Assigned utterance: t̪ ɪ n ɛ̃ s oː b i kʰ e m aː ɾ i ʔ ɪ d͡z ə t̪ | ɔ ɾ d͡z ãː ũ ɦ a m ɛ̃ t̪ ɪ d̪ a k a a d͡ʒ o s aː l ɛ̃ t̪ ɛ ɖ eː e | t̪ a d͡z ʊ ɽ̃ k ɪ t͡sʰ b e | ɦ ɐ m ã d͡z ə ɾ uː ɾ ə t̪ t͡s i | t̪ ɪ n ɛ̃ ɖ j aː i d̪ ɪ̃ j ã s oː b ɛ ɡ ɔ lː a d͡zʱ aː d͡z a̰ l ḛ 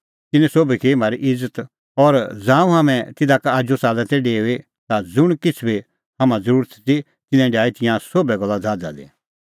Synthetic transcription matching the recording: t̪ ɪ n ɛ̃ s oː b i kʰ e m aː ɾ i ʔ ɪ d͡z ə t̪ | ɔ ɾ d͡z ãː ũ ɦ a m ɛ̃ t̪ ɪ d̪ a k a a d͡ʒ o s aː l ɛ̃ t̪ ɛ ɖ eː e | t̪ a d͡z ʊ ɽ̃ k ɪ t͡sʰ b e | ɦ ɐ m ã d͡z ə ɾ uː ɾ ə t̪ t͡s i | t̪ ɪ n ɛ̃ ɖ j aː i t̪ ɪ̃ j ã s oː b ɛ ɡ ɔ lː a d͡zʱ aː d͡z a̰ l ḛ